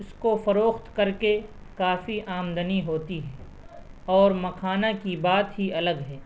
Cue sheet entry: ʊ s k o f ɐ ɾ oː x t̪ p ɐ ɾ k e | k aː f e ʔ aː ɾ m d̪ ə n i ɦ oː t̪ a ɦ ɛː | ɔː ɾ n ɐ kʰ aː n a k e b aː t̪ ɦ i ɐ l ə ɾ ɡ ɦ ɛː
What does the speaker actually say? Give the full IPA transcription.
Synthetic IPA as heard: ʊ s k o f ɐ ɾ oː x t̪ k ɐ ɾ k e | k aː f i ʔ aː m d̪ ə n i ɦ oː t̪ i ɦ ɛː | ɔː ɾ m ɐ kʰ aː n a k i b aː t̪ ɦ i ɐ l ə ɡ ɦ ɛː